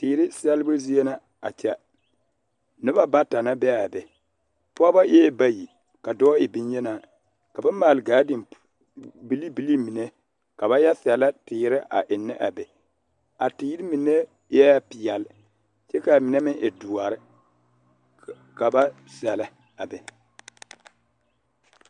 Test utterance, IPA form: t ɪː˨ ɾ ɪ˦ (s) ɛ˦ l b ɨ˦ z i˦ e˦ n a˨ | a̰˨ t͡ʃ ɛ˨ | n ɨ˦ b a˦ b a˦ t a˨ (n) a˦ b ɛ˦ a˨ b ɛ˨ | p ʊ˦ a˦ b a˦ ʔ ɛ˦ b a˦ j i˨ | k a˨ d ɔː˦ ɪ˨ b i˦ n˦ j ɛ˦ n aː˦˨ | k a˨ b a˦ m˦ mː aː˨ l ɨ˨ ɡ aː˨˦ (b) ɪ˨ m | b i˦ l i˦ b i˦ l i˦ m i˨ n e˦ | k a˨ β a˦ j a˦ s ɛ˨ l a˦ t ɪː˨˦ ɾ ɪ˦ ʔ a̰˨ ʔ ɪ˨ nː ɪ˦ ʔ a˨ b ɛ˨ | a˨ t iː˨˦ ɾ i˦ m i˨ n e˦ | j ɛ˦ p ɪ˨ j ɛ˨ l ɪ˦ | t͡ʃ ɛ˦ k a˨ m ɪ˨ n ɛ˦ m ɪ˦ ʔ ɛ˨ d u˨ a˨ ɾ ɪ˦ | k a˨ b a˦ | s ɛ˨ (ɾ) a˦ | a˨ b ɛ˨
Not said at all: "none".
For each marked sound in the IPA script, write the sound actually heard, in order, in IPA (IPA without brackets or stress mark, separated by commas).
s, n, d, l